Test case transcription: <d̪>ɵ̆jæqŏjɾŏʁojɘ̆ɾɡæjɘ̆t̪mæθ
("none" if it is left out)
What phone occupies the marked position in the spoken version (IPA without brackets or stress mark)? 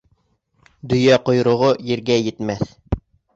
d̪